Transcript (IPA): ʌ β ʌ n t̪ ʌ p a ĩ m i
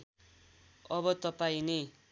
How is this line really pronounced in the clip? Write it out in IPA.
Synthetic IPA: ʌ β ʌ t̪ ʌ p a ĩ n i